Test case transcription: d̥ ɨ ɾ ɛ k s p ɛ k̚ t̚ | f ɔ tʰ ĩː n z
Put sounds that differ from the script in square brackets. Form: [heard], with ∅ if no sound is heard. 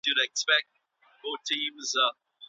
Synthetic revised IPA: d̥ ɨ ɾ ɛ k s p ɛ k̚ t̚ | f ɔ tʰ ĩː [m] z